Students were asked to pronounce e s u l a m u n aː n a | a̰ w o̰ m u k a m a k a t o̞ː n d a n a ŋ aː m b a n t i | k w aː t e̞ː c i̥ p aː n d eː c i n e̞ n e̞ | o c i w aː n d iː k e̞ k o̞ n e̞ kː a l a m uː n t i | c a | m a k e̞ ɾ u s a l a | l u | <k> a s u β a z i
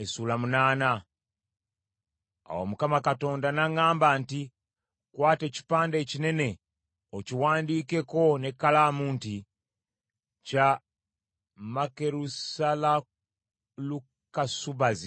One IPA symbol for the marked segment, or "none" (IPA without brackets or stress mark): k